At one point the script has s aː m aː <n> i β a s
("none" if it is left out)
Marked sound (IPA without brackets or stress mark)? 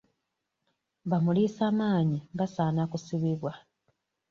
ɲ